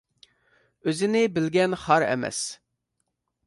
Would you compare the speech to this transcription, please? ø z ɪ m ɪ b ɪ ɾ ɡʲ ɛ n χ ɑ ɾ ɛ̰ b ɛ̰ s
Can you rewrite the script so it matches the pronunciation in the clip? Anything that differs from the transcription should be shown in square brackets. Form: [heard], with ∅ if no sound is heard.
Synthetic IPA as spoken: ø z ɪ [n] ɪ b ɪ [l] ɡʲ ɛ n χ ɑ ɾ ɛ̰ [m] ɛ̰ s